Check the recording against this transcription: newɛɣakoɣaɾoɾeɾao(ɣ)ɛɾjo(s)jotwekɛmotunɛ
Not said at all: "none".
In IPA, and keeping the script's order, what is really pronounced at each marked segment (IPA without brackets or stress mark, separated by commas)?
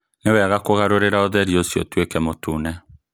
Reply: ð, s